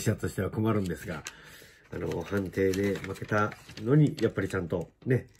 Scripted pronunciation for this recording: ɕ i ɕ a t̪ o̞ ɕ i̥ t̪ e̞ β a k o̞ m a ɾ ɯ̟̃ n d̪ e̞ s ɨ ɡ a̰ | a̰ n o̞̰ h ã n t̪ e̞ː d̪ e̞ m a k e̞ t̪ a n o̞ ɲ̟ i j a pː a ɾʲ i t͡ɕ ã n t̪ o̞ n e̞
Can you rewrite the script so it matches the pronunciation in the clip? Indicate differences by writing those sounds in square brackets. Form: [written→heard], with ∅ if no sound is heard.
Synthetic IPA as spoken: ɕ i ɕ a t̪ o̞ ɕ i̥ t̪ e̞ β a k o̞ m a ɾ ɯ̟̃ n d̪ e̞ s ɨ ɡ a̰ | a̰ n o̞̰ h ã n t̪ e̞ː d̪ e̞ m a k e̞ t̪ a n o̞ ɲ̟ i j a pː a ɾʲ i t͡ɕ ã n t̪ o̞ n e̞